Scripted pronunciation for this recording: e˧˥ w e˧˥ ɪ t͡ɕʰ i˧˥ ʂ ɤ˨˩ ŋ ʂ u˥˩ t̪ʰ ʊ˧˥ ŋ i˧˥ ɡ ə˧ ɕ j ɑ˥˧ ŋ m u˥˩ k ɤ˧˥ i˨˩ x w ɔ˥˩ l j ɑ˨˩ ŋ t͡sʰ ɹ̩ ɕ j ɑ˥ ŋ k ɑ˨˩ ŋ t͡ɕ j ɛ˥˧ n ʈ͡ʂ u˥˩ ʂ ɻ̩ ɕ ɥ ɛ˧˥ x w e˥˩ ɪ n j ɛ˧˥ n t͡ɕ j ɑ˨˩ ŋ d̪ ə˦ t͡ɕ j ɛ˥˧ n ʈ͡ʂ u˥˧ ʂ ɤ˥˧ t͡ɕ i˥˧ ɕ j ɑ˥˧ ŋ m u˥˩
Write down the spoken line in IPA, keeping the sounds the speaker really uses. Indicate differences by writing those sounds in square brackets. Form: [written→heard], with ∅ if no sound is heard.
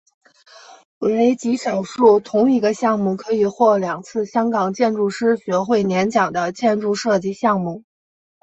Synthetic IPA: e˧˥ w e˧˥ ɪ [t͡ɕʰ→t͡ɕ] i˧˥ ʂ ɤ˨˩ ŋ ʂ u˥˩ t̪ʰ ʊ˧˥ ŋ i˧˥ ɡ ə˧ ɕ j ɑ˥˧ ŋ m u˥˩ [k→kʰ] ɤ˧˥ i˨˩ x w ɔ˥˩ l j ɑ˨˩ ŋ t͡sʰ ɹ̩ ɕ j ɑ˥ ŋ k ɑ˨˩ ŋ t͡ɕ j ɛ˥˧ n ʈ͡ʂ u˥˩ ʂ ɻ̩ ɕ ɥ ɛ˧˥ x w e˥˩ ɪ n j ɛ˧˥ n t͡ɕ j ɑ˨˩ ŋ d̪ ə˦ t͡ɕ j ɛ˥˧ n ʈ͡ʂ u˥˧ ʂ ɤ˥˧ t͡ɕ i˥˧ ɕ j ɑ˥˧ ŋ m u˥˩